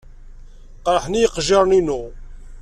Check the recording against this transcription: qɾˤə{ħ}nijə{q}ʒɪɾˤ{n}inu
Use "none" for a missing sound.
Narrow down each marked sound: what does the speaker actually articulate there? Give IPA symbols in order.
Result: ħ, q, n

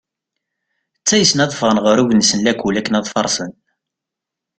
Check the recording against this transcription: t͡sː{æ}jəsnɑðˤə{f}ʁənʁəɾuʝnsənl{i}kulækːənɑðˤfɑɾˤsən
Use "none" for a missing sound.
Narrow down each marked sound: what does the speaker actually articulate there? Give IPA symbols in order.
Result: æ, f, æ

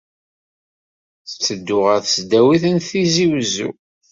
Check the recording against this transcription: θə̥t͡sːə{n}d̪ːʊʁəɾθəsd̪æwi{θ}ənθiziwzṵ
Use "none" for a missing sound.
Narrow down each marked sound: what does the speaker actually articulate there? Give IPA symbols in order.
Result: none, θ

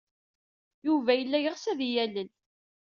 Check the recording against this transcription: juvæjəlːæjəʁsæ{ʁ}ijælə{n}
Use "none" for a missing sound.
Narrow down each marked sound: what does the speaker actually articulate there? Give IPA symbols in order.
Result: ð, n

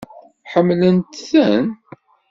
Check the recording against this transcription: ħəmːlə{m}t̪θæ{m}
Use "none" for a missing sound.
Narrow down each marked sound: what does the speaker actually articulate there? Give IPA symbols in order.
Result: n, n

